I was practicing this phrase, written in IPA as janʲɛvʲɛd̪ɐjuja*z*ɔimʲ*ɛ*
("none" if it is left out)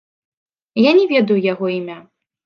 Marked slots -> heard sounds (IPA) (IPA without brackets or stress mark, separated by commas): ɣ, a